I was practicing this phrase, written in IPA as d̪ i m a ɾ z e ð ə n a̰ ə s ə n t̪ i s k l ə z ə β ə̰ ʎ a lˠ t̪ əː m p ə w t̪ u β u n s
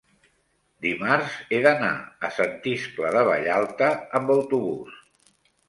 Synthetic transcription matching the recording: d̪ i m a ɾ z e ð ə n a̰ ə s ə n t̪ i s k l ə ð ə β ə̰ ʎ a lˠ t̪ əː m b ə w t̪ u β u s

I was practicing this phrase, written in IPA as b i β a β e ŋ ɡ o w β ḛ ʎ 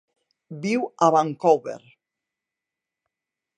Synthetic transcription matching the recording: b i w a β a ŋ k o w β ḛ ɾ

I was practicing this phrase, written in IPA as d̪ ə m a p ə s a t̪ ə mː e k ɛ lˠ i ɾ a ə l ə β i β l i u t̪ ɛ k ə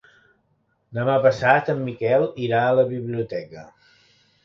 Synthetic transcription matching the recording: d̪ ə m a p ə s a t̪ ə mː i k ɛ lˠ i ɾ a ə l ə β i β l i u t̪ ɛ k ə

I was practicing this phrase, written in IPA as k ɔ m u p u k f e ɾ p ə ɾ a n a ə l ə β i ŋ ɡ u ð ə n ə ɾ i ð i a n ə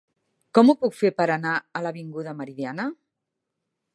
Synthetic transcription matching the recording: k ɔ m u p u k f e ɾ p ə ɾ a n a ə l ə β i ŋ ɡ u ð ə m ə ɾ i ð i a n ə

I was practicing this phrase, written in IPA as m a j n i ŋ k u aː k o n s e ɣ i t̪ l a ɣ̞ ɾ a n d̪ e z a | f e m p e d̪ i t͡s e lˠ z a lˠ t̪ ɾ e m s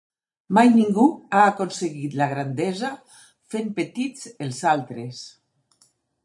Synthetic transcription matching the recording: m a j n i ŋ ɡ u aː k o n s e ɣ i t̪ l a ɣ̞ ɾ a n d̪ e z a | f e m p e t̪ i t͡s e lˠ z a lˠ t̪ ɾ e s

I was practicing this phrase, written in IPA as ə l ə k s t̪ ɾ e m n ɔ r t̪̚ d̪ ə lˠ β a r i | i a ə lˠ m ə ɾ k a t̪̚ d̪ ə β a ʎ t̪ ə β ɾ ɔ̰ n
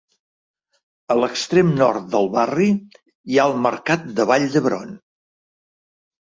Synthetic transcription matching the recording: ə l ə k s t̪ ɾ e m n ɔ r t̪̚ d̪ ə lˠ β a r i | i a ə lˠ m ə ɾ k a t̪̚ d̪ ə β a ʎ d̪ ə β ɾ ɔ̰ n

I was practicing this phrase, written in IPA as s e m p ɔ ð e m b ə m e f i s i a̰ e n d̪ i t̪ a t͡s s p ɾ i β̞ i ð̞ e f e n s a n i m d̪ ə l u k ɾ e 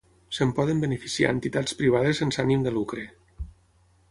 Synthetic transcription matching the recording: s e m p ɔ ð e m b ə n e f i s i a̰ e n t̪ i t̪ a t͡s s p ɾ i β̞ a ð̞ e s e n s a n i m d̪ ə l u k ɾ e

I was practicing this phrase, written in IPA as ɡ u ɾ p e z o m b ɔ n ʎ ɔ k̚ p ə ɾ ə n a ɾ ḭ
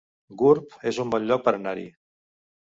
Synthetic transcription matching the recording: ɡ u ɾ p e z u m b ɔ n ʎ ɔ k̚ p ə ɾ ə n a ɾ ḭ

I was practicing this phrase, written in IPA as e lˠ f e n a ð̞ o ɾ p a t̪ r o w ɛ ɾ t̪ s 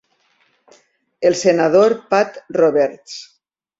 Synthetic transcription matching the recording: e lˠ s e n a ð̞ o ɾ p a t̪ r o β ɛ ɾ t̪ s

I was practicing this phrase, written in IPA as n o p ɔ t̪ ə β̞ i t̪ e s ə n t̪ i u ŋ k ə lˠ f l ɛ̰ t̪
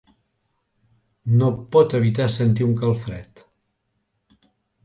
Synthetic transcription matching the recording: n o p ɔ t̪ ə β̞ i t̪ a s ə n t̪ i u ŋ k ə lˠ f ɾ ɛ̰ t̪

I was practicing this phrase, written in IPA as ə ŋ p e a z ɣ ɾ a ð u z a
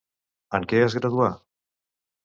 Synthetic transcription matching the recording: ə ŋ k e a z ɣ ɾ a ð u a

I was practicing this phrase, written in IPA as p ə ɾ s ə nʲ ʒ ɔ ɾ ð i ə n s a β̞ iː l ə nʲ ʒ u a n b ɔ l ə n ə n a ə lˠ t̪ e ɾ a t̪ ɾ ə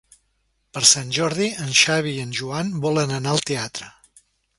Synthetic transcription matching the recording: p ə ɾ s a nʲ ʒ ɔ ɾ ð i ə n ʃ a β̞ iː ə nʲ ʒ u a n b ɔ l ə n ə n a ə lˠ t̪ e a t̪ ɾ ə

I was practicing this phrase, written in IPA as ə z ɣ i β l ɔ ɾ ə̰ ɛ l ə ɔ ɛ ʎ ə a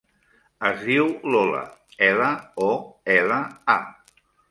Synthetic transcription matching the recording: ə z ð i w l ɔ l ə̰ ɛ l ə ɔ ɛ l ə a

